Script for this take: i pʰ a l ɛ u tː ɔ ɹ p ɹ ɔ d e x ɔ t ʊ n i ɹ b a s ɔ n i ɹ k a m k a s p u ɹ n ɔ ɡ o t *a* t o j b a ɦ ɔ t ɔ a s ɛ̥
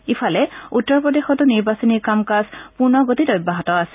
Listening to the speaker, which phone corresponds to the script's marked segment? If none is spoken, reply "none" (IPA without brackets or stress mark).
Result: i